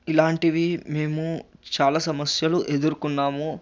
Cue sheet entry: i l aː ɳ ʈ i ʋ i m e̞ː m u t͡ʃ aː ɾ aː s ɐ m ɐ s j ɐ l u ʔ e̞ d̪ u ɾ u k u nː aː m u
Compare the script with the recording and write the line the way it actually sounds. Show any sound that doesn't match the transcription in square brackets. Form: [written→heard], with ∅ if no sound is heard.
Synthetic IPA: i l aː ɳ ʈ i ʋ i m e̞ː m u t͡ʃ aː [ɾ→l] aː s ɐ m ɐ s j ɐ l u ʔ e̞ d̪ u ɾ u k u nː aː m u